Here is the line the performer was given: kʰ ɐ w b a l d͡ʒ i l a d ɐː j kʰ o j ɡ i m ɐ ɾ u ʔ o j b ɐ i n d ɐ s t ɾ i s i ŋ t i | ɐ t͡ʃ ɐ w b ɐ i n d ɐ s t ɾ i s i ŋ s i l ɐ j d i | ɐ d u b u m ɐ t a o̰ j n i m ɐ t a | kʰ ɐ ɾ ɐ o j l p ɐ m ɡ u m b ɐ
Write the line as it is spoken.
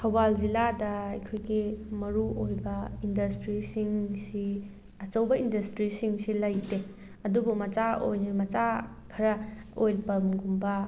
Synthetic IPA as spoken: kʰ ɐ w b a l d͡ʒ i l a d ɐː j kʰ o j ɡ i m ɐ ɾ u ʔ o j b ɐ i n d ɐ s t ɾ i s i ŋ s i | ɐ t͡ʃ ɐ w b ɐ i n d ɐ s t ɾ i s i ŋ s i l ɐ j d e | ɐ d u b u m ɐ t͡ʃ a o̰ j n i m ɐ t͡ʃ a | kʰ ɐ ɾ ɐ o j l p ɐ m ɡ u m b ɐ